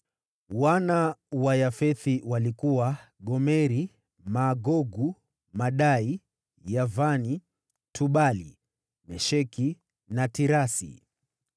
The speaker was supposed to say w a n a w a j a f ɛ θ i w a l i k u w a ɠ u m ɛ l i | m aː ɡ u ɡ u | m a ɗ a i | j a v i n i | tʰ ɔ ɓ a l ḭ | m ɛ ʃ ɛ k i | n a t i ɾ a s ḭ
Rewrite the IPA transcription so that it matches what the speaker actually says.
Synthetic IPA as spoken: w a n a w a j a f ɛ θ i w a l i k u w a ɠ ɔ m ɛ ɾ i | m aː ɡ ɔ ɡ u | m a ɗ a i | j a v a n i | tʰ u ɓ a l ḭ | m ɛ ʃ ɛ k i | n a t i ɾ a s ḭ

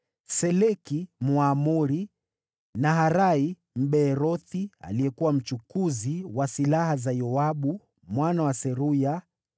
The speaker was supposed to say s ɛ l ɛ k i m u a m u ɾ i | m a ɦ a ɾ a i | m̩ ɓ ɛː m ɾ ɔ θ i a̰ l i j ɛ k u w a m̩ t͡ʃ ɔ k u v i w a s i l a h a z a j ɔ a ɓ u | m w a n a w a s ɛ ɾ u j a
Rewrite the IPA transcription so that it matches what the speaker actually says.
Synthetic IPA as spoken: s ɛ l ɛ k i m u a m u ɾ i | n a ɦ a ɾ a i | m̩ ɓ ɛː ɾ ɔ θ i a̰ l i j ɛ k u w a m̩ t͡ʃ u k u z i w a s i l a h a z a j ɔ a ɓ u | m w a n a w a s ɛ ɾ u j a

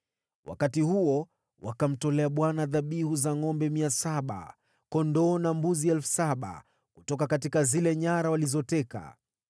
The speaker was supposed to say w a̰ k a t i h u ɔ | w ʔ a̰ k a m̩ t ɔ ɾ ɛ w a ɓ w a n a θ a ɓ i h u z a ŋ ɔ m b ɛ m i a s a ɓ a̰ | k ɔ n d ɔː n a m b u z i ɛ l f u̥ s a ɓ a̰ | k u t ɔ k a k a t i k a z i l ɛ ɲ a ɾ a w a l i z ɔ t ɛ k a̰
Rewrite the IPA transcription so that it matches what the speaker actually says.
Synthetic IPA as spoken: w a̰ k a t i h u ɔ | w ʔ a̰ k a m̩ t ɔ l ɛ a ɓ w a n a ð a ɓ i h u z a ŋ ɔ m b ɛ m i a s a ɓ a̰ | k ɔ n d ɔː n a m b u z i ɛ l f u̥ s a ɓ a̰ | k u t ɔ k a k a t i k a z i l ɛ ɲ a ɾ a w a l i z ɔ t ɛ k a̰

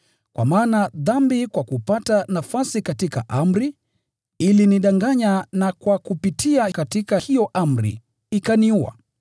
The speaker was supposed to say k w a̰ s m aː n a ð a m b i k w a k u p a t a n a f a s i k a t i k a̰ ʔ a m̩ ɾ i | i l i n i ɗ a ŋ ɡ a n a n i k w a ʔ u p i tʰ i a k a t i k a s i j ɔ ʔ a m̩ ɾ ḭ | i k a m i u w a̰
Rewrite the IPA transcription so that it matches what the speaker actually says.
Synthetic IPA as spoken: k w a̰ m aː n a ð a m b i k w a k u p a t a n a f a s i k a t i k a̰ ʔ a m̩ ɾ i | i l i n i ɗ a ŋ ɡ a ɲ a n a k w a k u p i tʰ i a k a t i k a h i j ɔ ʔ a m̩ ɾ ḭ | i k a n i u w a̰

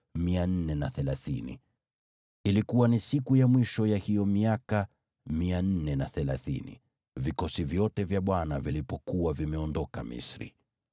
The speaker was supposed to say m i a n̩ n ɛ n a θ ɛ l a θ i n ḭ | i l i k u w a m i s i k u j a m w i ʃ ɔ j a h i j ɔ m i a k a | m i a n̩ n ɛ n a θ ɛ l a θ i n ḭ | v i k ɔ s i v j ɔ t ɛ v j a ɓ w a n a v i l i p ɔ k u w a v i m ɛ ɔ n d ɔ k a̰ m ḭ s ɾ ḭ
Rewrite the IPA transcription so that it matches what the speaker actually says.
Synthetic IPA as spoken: m i a n̩ n ɛ n a θ ɛ l a θ i n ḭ | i l i k u w a n i s i k u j a m w i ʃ ɔ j a h i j ɔ m i a k a | m i a n̩ n ɛ n a θ ɛ l a θ i n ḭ | v i k ɔ s i v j ɔ t ɛ v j a ɓ w a n a v i l i p ɔ k u w a v i m ɛ ɔ n d ɔ k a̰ m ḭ s ɾ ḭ

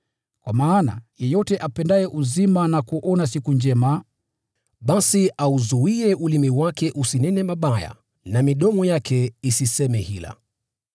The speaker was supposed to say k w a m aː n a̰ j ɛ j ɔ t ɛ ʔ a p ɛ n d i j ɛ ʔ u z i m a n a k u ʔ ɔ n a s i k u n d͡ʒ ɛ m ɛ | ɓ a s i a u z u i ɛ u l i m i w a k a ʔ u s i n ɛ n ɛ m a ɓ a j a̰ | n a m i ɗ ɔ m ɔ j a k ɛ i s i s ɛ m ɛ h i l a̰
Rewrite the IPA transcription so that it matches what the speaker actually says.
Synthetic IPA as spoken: k w a m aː n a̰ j ɛ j ɔ t ɛ ʔ a p ɛ n d a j ɛ ʔ u z i m a n a k u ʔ ɔ n a s i k u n d͡ʒ ɛ m a | ɓ a s i a u z u i ɛ u l i m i w a k ɛ ʔ u s i n ɛ n ɛ m a ɓ a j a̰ | n a m i ɗ ɔ m ɔ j a k ɛ i s i s ɛ m ɛ h i l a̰

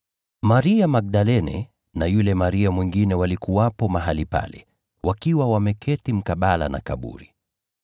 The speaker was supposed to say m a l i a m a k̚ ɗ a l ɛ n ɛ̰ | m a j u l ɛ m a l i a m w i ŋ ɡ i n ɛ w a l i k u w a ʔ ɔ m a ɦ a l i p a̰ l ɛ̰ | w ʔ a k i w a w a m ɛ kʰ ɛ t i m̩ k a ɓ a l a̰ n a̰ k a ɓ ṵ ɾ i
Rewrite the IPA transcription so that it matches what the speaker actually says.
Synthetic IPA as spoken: m a ɾ i a m a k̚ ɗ a l ɛ n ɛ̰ | n a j u l ɛ m a ɾ i a m w i ŋ ɡ i n ɛ w a l i k u w a p ɔ m a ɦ a l i p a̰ l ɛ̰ | w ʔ a k i w a w a m ɛ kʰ ɛ t i m̩ k a ɓ a l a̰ n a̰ k a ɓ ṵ ɾ i

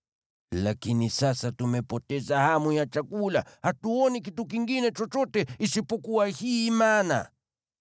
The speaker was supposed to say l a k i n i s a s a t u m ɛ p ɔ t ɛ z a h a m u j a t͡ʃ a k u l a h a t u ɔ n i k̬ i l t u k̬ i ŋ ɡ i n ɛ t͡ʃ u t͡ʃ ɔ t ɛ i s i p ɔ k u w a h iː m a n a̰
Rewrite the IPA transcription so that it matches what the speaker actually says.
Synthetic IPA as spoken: l a k i n i s a s a t u m ɛ p ɔ t ɛ z a h a m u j a t͡ʃ a k u l a h a t u ɔ n i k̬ i t u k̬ i ŋ ɡ i n ɛ t͡ʃ ɔ t͡ʃ ɔ t ɛ i s i p ɔ k u w a h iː m a n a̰

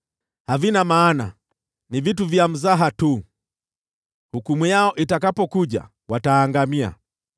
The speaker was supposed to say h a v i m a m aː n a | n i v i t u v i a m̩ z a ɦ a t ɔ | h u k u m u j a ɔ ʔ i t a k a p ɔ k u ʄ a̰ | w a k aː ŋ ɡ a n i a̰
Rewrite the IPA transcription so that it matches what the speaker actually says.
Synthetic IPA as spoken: h a v i n a m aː n a | n i v i t u v j a m̩ z a ɦ a t u | h u k u m u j a ɔ ʔ i t a k a p ɔ k u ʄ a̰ | w a t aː ŋ ɡ a m i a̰

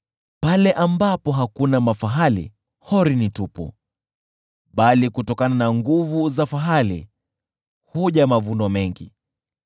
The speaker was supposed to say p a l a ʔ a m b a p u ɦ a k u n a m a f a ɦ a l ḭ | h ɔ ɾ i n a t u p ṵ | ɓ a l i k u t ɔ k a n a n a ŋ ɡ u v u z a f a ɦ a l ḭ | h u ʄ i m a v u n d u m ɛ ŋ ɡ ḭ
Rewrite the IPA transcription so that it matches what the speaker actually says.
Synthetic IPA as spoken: p a l ɛ ʔ a m b a p ɔ ɦ a k u n a m a f a ɦ a l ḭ | h ɔ ɾ i n i t u p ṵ | ɓ a l i k u t ɔ k a n a n a ŋ ɡ u v u z a f a ɦ a l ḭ | h u ʄ a m a v u n d ɔ m ɛ ŋ ɡ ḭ

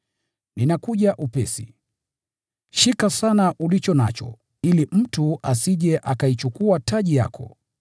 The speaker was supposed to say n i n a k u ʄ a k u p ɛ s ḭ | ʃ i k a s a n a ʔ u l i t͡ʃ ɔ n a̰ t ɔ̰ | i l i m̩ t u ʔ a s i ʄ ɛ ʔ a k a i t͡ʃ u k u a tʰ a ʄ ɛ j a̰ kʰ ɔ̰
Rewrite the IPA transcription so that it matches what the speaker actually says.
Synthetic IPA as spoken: n i n a k u ʄ a ʔ u p ɛ s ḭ | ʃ i k a s a n a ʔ u l i t͡ʃ ɔ n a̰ t͡ʃ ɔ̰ | i l i m̩ t u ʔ a s i ʄ ɛ ʔ a k a i t͡ʃ u k u a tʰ a ʄ i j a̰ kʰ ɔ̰

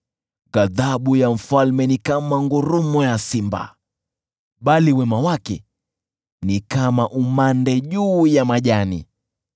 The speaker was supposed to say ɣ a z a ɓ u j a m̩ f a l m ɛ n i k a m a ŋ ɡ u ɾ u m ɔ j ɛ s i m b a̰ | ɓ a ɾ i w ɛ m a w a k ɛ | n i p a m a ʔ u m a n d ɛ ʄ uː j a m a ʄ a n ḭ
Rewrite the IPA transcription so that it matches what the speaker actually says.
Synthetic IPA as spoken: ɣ a ð a ɓ u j a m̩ f a l m ɛ n i k a m a ŋ ɡ u ɾ u m ɔ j a s i m b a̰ | ɓ a l i w ɛ m a w a k ɛ | n i k a m a ʔ u m a n d ɛ ʄ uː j a m a ʄ a n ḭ

